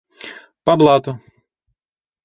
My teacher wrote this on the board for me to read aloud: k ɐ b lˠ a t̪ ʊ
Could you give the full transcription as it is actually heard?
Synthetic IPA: p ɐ b lˠ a t̪ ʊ